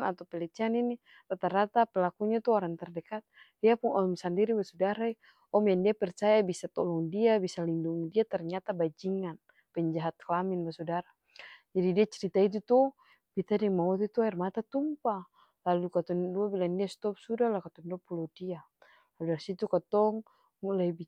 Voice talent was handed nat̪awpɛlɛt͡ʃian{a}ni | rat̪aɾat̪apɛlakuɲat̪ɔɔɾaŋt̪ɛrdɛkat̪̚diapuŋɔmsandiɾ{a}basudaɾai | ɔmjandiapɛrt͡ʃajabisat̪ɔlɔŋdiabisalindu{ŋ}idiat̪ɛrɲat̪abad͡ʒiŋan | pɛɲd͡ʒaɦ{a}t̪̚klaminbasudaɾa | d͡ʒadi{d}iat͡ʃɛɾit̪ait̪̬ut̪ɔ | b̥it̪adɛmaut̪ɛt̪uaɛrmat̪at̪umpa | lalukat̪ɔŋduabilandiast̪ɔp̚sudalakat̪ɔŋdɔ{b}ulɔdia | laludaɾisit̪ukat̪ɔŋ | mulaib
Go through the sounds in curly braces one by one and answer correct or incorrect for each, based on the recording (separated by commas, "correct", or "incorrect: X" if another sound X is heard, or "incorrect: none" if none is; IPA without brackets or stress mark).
incorrect: i, incorrect: i, correct, correct, correct, incorrect: p